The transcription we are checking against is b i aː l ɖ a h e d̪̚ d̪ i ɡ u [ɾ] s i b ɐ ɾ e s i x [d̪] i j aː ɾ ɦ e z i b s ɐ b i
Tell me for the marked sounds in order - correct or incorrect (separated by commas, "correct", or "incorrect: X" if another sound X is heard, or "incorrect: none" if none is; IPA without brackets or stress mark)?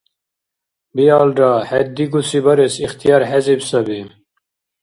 incorrect: none, incorrect: t̪